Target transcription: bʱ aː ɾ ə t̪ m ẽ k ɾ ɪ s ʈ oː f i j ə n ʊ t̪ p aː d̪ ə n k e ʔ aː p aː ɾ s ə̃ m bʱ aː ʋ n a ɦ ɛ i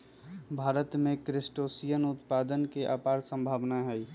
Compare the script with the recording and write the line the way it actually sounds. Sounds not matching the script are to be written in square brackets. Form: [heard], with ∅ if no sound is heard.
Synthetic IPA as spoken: bʱ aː ɾ ə t̪ m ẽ k ɾ ɪ s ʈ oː [s] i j ə n ʊ t̪ p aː d̪ ə n k e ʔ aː p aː ɾ s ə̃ m bʱ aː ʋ n a ɦ ɛ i